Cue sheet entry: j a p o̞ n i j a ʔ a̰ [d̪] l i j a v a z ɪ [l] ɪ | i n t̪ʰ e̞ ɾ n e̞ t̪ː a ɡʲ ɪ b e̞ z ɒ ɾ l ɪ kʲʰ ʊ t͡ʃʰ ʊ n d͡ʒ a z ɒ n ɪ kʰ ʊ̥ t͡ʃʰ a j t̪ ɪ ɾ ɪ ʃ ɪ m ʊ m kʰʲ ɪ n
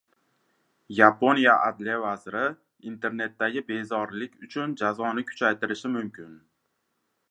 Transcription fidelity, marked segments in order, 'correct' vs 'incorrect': correct, incorrect: ɾ

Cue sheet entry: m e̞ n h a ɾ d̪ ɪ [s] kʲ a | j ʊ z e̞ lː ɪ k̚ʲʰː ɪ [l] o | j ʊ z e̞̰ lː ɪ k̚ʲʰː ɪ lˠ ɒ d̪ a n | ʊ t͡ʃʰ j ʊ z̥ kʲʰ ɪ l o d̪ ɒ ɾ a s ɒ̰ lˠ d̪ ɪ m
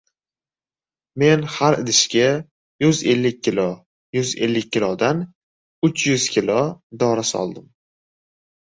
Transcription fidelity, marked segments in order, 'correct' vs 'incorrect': incorrect: ʃ, correct

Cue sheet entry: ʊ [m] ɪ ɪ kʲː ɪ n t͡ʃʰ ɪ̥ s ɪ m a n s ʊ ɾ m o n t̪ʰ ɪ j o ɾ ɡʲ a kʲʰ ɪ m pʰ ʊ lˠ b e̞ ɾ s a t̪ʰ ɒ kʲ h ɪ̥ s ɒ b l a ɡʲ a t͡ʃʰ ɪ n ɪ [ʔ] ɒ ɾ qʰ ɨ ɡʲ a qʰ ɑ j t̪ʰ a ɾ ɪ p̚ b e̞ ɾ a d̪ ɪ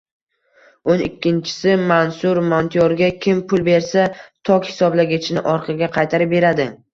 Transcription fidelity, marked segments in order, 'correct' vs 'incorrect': incorrect: n, correct

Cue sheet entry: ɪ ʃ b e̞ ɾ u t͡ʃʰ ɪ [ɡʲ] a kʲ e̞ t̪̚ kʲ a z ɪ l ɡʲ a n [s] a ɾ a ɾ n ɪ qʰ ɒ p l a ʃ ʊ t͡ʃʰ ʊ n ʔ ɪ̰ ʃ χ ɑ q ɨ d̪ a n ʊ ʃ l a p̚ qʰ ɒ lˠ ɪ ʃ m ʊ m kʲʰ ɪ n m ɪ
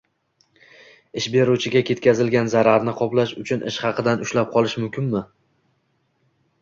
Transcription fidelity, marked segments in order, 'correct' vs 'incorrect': correct, incorrect: z

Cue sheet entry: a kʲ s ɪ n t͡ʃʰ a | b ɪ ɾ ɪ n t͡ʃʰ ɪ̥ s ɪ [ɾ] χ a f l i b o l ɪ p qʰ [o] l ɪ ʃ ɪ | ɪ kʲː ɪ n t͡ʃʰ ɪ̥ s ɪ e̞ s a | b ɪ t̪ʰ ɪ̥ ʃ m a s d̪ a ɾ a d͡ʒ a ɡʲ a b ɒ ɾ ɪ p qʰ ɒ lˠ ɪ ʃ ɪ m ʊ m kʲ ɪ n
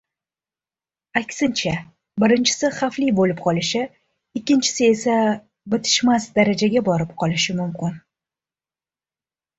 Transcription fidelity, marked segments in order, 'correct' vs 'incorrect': incorrect: none, incorrect: ɒ

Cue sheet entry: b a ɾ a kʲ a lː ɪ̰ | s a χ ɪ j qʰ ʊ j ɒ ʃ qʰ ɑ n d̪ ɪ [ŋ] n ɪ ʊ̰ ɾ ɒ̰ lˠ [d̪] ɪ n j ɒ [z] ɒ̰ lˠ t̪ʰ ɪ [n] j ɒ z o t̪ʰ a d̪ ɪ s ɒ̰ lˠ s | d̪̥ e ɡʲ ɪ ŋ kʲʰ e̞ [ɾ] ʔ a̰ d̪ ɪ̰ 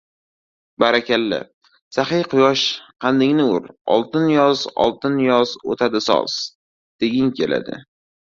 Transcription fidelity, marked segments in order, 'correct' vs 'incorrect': correct, incorrect: t̪, correct, correct, incorrect: l

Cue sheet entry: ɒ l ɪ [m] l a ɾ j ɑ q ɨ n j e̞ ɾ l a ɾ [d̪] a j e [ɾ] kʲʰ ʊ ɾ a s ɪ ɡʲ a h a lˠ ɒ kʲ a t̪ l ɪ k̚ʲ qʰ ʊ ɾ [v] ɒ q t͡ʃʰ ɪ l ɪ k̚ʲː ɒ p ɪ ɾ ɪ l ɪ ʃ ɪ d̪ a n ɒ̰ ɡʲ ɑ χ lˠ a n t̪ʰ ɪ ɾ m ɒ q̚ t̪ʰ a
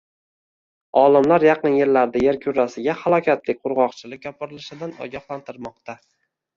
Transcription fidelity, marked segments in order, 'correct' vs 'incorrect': correct, correct, correct, incorrect: ʁ

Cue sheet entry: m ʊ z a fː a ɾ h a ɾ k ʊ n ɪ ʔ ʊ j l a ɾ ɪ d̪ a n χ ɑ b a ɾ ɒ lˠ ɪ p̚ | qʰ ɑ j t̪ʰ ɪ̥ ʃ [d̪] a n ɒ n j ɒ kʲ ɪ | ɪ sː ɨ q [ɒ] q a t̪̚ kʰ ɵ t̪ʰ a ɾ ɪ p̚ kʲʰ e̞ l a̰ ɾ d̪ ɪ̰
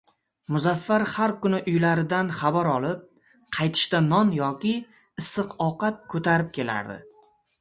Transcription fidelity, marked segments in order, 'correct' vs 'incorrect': incorrect: t̪, correct

